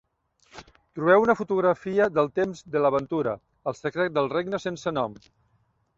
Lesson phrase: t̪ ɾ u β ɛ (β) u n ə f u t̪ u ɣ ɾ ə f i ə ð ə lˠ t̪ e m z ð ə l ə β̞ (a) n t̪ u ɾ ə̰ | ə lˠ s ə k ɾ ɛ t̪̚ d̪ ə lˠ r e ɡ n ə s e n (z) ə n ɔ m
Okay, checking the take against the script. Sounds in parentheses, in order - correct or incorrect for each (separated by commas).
incorrect, incorrect, incorrect